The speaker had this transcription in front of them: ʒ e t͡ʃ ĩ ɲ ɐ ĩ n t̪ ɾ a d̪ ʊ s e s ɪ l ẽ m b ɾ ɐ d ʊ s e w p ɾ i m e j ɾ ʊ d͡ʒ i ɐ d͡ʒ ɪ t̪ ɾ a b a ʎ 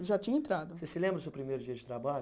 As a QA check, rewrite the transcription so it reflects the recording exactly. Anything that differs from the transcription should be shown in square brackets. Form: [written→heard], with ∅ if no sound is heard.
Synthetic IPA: ʒ [e→a] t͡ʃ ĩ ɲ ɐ [ĩ→ẽ] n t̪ ɾ a d̪ ʊ s e s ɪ l ẽ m b ɾ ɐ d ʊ s e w p ɾ i m e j ɾ ʊ d͡ʒ i ɐ d͡ʒ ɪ t̪ ɾ a b a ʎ